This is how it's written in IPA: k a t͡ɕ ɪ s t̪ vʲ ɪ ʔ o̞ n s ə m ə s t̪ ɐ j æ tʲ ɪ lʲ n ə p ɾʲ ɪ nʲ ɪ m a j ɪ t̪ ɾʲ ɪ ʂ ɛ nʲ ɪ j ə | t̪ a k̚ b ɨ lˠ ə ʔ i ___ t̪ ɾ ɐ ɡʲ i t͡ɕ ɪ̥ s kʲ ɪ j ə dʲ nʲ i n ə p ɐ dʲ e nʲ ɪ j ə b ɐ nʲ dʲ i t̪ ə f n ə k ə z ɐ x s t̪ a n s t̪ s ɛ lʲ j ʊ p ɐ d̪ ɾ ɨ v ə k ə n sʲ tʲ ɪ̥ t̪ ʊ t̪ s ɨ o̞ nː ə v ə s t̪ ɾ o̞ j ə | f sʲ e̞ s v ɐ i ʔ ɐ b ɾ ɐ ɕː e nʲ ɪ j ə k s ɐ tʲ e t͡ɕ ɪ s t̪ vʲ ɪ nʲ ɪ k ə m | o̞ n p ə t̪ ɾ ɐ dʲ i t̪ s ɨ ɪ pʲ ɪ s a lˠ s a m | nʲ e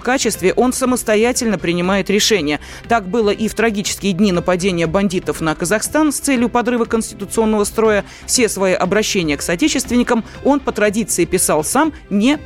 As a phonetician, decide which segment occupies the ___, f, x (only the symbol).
f